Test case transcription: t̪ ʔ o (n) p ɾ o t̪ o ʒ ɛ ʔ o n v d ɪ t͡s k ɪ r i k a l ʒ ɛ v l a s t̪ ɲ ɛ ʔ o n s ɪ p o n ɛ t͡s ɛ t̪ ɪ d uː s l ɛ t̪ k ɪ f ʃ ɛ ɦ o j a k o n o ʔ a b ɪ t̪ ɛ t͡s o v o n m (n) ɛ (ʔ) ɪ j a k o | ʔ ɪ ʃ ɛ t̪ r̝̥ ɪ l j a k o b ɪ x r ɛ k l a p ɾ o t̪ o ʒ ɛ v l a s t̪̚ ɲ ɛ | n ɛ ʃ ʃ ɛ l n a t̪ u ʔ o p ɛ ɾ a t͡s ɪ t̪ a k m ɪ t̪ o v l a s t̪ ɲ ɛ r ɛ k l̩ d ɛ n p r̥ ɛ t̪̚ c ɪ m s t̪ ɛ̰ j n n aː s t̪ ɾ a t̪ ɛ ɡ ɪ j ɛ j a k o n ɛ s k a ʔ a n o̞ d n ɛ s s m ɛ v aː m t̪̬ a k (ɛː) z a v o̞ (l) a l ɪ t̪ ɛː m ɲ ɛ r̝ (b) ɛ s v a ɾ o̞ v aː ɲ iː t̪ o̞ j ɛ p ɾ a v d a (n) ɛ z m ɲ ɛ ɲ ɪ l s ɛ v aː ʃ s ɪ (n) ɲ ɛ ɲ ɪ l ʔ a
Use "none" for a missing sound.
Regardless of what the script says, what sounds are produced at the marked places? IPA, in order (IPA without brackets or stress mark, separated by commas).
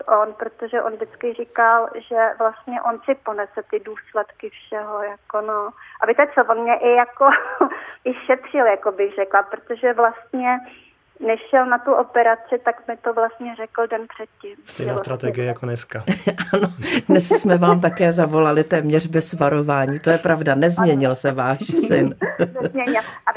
n, ɲ, ʔ, ɛː, l, b, n, n